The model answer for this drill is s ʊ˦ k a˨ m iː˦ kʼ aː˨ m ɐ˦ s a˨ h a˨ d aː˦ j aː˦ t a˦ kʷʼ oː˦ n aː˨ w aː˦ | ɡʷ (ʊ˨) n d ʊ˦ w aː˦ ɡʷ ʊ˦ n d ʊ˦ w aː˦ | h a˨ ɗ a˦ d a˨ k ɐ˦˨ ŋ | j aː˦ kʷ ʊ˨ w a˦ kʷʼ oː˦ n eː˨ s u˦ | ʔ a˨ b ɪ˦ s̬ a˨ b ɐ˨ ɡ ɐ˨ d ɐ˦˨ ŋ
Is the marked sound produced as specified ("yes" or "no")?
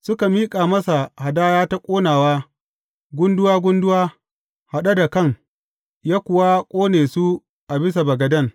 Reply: no